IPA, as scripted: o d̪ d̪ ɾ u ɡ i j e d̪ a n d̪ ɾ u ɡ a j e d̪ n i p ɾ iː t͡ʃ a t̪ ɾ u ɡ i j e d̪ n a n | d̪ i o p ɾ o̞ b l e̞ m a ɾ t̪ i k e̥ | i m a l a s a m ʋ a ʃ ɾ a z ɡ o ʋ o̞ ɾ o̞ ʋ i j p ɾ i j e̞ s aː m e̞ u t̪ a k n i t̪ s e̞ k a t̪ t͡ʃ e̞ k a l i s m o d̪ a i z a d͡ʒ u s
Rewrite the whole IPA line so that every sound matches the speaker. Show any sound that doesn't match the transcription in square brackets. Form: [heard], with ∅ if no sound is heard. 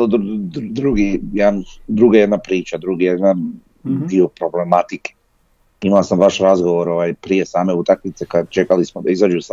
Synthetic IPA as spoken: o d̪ d̪ ɾ u ɡ i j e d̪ a n d̪ ɾ u ɡ a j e d̪ n [a] p ɾ iː t͡ʃ a [d̪] ɾ u ɡ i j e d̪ n a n | d̪ i o p ɾ o̞ b l e̞ m a [∅] t̪ i k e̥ | i m a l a s a m ʋ a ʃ ɾ a z ɡ o ʋ o̞ ɾ o̞ ʋ [a] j p ɾ i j e̞ s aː m e̞ u t̪ a k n i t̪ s e̞ k a [d̪] t͡ʃ e̞ k a l i s m o d̪ a i z a d͡ʒ u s